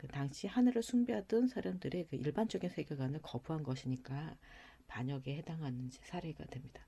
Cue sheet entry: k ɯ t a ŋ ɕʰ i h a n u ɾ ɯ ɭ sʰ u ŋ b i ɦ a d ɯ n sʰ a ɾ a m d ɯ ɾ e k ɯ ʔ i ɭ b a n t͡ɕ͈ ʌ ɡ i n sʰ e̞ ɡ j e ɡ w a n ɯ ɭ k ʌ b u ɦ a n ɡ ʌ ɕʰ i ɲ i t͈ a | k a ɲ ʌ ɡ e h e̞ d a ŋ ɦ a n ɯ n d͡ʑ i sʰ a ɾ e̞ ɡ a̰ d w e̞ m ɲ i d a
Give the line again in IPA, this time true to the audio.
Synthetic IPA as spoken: k ɯ t a ŋ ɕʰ i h a n ɯ ɾ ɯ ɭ sʰ u ŋ b i ɦ a d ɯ n sʰ a ɾ a m d ɯ ɾ e k ɯ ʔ i ɭ b a n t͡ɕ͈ ʌ ɡ i n sʰ e̞ ɡ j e ɡ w a n ɯ ɭ k ʌ b u ɦ a n ɡ ʌ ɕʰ i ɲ i k͈ a | p a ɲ ʌ ɡ e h e̞ d a ŋ ɦ a n ɯ n d͡ʑ i sʰ a ɾ e̞ ɡ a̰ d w e̞ m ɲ i d a